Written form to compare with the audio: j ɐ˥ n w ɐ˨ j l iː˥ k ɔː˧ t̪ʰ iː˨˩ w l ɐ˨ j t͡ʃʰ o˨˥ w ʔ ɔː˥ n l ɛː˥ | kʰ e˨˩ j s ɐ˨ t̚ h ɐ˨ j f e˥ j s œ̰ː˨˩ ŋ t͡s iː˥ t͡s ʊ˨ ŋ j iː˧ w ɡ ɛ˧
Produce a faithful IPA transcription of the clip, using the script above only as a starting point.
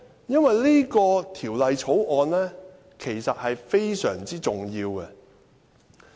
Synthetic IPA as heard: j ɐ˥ n w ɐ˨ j l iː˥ k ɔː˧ t̪ʰ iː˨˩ w l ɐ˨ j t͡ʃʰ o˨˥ w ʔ ɔː˧ n l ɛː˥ | kʰ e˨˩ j s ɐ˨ t̚ h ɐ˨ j f e˥ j s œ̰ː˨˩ ŋ t͡s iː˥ t͡s ʊ˨ ŋ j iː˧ w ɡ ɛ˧